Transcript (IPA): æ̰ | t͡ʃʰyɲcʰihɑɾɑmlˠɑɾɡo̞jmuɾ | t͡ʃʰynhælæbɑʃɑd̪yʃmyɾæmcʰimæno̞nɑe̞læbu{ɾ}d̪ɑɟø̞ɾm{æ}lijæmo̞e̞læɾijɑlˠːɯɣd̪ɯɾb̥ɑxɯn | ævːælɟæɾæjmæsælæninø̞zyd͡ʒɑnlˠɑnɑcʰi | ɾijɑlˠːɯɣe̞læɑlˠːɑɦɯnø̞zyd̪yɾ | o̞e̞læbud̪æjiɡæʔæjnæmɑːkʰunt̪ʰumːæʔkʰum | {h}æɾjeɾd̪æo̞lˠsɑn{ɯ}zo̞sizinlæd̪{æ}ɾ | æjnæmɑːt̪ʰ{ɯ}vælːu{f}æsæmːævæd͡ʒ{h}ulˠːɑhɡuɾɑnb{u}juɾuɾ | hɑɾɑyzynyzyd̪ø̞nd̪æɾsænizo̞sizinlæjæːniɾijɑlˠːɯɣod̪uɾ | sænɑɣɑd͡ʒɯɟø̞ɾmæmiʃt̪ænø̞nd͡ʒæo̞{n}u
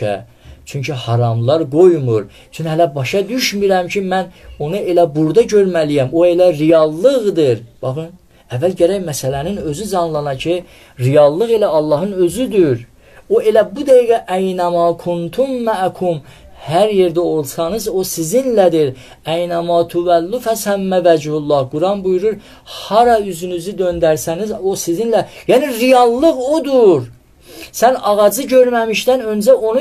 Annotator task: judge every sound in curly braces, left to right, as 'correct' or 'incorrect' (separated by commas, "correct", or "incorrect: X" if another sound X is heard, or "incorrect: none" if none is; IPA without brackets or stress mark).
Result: correct, correct, correct, correct, incorrect: i, incorrect: u, correct, correct, correct, correct